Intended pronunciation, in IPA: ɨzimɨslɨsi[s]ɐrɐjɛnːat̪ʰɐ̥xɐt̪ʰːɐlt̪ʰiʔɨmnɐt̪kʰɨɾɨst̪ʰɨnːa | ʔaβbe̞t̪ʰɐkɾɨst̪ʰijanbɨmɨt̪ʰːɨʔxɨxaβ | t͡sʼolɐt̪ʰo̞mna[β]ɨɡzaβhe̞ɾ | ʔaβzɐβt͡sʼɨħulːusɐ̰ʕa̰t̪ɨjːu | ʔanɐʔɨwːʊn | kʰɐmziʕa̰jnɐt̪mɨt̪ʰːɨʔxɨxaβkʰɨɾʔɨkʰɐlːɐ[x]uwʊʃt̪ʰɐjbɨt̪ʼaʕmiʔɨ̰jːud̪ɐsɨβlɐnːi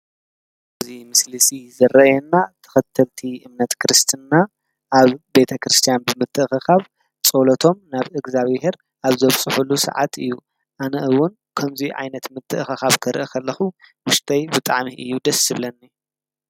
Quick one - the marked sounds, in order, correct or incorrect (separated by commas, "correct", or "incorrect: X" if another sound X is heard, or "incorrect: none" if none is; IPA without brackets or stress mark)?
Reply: incorrect: z, correct, correct